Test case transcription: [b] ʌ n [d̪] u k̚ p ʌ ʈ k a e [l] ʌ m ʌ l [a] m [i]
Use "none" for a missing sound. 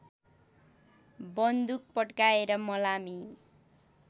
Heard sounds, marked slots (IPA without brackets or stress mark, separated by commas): b, d̪, ɾ, a, i